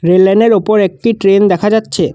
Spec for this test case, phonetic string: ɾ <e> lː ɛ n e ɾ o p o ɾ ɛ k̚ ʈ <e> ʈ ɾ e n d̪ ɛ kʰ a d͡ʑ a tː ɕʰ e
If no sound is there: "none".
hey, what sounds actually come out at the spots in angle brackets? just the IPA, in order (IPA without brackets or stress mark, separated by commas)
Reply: e, i